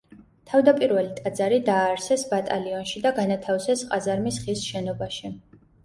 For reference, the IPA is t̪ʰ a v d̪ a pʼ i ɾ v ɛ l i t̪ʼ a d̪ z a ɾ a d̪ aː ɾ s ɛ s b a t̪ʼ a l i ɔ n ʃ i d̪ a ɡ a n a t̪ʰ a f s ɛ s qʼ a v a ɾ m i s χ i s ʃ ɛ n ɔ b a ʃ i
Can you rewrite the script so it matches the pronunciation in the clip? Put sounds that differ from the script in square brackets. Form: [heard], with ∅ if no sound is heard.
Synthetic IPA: t̪ʰ a v d̪ a pʼ i ɾ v ɛ l i t̪ʼ a d̪ z a ɾ [i] d̪ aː ɾ s ɛ s b a t̪ʼ a l i ɔ n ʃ i d̪ a ɡ a n a t̪ʰ a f s ɛ s qʼ a [z] a ɾ m i s χ i s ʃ ɛ n ɔ b a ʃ i